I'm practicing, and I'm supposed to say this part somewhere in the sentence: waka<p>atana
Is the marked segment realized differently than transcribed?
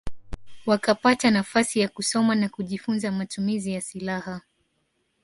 no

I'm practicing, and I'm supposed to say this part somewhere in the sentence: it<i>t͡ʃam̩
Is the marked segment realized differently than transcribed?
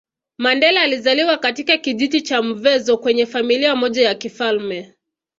no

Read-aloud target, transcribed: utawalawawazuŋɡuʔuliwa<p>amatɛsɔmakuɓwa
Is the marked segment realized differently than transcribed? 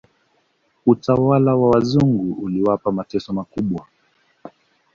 no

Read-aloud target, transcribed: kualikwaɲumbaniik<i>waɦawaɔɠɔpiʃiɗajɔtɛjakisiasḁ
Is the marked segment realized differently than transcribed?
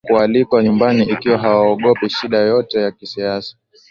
no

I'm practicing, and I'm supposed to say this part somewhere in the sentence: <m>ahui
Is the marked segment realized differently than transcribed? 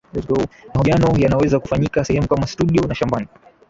no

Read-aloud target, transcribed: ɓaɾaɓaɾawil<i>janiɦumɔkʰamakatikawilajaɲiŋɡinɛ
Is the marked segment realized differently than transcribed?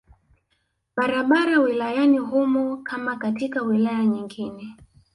yes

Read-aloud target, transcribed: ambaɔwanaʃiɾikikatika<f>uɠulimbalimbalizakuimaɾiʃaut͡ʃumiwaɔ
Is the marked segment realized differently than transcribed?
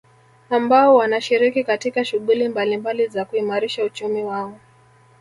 yes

